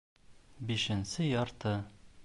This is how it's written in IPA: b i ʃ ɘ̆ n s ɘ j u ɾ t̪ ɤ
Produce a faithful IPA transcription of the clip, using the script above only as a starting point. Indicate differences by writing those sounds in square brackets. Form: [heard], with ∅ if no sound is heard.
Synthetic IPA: b i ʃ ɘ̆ n s ɘ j [ɒ] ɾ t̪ ɤ